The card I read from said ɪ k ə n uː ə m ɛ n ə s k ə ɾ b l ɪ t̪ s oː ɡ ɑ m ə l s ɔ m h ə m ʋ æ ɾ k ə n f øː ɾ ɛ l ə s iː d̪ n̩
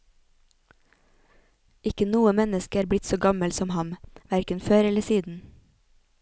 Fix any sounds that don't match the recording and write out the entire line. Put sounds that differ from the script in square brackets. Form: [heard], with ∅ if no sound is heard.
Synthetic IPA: ɪ k ə n uː ə m ɛ n ə s k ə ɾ b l ɪ t̪ s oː ɡ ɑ m ə l s ɔ m h [ɑ] m ʋ æ ɾ k ə n f øː ɾ ɛ l ə s iː d̪ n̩